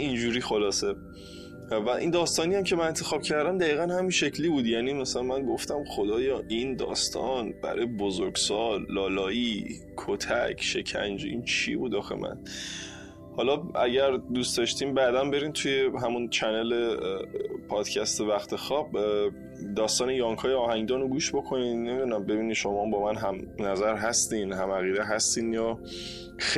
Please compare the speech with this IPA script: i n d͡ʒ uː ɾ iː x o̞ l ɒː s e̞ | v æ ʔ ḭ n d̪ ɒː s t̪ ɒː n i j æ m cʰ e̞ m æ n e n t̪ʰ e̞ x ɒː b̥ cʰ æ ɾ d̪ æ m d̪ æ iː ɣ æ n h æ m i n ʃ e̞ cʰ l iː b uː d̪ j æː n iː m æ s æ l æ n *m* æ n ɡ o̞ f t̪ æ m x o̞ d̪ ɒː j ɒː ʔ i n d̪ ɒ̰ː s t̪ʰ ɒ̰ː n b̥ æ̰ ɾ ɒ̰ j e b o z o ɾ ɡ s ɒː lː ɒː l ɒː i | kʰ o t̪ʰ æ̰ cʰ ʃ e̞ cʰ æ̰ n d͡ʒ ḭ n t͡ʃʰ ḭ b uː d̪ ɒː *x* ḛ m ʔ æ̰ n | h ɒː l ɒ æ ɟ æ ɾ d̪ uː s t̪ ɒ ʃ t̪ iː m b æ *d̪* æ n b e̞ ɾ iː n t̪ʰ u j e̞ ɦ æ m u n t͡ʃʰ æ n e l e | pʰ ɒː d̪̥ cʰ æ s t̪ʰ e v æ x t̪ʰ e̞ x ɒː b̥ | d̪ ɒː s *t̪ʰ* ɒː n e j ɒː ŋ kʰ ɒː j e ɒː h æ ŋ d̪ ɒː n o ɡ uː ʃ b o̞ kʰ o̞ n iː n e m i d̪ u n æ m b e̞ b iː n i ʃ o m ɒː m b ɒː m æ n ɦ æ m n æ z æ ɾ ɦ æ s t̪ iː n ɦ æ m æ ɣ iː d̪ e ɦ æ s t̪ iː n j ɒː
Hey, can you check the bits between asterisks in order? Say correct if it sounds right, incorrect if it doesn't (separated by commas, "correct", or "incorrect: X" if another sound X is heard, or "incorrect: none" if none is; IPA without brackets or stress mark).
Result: correct, correct, correct, incorrect: t̪